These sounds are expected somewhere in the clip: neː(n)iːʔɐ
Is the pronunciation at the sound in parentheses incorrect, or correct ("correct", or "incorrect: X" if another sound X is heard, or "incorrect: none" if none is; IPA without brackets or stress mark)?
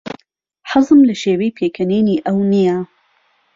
correct